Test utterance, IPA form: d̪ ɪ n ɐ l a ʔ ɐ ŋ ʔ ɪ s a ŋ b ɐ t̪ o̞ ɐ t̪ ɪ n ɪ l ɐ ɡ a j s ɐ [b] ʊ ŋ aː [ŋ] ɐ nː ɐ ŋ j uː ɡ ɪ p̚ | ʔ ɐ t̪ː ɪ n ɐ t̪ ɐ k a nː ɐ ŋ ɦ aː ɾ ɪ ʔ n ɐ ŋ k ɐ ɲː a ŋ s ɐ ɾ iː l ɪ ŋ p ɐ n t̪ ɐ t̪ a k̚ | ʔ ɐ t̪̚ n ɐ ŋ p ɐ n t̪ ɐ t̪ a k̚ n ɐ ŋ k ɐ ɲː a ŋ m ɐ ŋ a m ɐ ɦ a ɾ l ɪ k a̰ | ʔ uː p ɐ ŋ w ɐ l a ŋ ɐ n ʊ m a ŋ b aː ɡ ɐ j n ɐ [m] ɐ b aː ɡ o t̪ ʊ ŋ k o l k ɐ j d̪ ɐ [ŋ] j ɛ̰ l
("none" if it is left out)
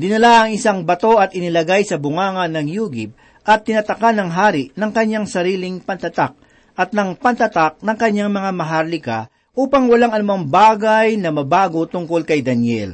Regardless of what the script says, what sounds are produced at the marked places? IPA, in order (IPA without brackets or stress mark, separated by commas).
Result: b, ŋ, m, n